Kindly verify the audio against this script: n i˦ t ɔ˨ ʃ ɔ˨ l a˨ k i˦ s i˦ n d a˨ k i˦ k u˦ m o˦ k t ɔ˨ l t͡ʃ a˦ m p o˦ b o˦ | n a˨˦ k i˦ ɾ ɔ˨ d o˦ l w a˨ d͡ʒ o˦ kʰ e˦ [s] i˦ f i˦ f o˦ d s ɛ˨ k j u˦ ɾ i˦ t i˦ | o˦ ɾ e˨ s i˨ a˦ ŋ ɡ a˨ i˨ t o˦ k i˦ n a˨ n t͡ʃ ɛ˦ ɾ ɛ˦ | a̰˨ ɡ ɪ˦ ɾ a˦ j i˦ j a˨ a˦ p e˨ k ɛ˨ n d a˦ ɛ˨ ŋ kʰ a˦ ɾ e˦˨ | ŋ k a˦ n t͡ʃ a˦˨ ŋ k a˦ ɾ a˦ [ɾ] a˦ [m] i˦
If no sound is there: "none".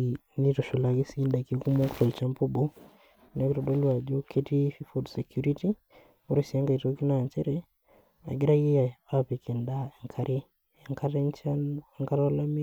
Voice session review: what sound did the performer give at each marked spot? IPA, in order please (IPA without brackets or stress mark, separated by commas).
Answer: t, l, m